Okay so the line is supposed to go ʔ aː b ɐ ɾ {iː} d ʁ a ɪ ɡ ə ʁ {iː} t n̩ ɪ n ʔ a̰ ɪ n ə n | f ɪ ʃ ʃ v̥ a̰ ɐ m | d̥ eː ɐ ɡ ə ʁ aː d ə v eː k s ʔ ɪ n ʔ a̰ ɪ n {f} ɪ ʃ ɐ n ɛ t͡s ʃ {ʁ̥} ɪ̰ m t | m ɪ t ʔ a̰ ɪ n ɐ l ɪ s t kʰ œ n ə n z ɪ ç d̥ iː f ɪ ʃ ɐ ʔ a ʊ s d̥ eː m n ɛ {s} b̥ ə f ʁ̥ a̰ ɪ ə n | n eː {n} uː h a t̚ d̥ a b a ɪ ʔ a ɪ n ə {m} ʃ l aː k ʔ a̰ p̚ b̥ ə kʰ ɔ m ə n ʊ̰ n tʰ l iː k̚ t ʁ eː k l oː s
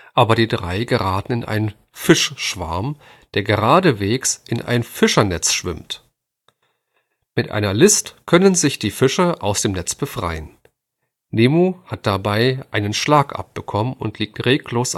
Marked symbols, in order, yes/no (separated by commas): yes, no, yes, no, no, no, no